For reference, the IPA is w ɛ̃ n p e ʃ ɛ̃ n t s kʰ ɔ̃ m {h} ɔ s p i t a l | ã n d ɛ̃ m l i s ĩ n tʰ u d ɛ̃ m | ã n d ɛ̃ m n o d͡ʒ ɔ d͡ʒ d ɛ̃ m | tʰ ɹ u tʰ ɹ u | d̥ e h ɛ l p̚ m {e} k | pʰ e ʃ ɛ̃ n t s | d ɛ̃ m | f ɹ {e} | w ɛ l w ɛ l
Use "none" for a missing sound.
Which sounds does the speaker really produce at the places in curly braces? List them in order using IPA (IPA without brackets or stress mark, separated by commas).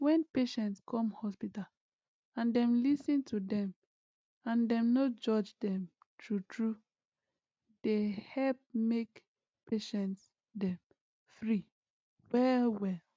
h, e, i